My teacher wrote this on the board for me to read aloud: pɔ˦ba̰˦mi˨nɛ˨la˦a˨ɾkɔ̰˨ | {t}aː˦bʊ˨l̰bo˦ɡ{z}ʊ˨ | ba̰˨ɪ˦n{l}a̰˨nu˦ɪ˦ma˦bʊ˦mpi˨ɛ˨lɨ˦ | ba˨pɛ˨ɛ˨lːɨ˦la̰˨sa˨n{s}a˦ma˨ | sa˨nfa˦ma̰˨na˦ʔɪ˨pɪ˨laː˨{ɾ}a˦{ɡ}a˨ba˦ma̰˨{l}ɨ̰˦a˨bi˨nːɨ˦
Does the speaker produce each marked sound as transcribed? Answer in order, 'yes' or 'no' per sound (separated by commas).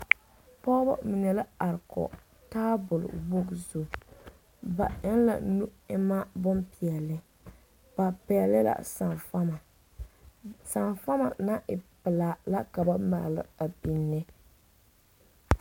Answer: yes, yes, yes, no, no, no, yes